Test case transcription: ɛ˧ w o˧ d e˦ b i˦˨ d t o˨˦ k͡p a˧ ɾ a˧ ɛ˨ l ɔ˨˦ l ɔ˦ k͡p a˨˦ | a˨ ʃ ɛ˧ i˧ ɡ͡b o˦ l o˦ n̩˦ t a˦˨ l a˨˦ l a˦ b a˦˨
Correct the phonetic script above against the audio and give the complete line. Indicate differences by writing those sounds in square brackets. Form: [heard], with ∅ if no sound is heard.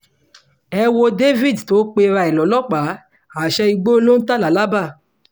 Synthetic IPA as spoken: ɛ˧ w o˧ d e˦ [v] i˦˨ d t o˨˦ k͡p [e˧] ɾ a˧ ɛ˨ l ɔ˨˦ l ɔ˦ k͡p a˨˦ | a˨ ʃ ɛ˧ i˧ ɡ͡b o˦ l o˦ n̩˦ t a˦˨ l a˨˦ l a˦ b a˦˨